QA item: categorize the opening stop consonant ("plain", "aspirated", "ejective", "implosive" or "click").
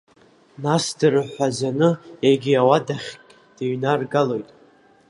plain